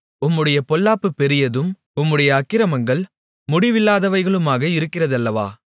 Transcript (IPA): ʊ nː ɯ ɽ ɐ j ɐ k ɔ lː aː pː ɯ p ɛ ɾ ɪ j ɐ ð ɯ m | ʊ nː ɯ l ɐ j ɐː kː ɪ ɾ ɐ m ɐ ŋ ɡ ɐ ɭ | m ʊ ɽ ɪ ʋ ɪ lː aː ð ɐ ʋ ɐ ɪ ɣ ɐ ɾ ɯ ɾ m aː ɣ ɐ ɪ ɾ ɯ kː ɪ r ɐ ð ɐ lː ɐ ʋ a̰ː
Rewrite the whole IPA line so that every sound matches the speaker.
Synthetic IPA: ʊ mː ɯ ɽ ɐ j ɐ p ɔ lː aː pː ɯ p ɛ ɾ ɪ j ɐ ð ɯ m | ʊ mː ɯ ɽ ɐ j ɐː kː ɪ ɾ ɐ m ɐ ŋ ɡ ɐ ɭ | m ʊ ɽ ɪ ʋ ɪ lː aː ð ɐ ʋ ɐ ɪ ɣ ɐ ɭ ɯ m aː ɣ ɐ ɪ ɾ ɯ kː ɪ r ɐ ð ɐ lː ɐ ʋ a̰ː